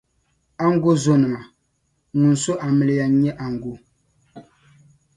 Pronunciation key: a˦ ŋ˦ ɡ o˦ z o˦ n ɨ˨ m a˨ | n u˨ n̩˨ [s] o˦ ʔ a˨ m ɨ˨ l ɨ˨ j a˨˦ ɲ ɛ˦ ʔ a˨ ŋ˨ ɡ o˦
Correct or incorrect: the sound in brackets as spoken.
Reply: correct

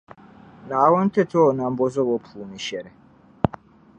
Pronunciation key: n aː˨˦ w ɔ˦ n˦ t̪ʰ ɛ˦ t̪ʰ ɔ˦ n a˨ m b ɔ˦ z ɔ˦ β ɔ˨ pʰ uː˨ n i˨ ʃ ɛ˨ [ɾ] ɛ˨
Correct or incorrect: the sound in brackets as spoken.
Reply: correct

